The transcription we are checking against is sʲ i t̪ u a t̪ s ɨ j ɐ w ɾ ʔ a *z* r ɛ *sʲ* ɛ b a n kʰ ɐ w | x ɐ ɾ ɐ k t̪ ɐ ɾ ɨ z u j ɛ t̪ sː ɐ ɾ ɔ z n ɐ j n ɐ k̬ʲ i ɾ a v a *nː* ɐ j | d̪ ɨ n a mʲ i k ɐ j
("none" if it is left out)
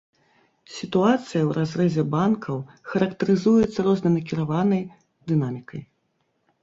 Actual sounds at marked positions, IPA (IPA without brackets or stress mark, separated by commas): z, zʲ, n